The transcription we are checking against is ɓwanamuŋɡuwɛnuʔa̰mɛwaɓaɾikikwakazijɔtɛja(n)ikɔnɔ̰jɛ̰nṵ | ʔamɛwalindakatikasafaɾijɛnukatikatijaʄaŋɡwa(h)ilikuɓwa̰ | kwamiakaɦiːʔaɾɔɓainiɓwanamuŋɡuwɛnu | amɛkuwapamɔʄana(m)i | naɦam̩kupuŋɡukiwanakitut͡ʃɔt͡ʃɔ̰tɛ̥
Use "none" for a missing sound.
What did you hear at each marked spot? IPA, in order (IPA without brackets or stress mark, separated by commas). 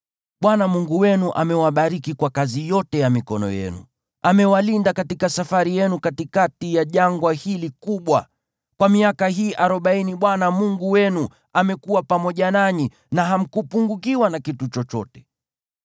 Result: m, h, ɲ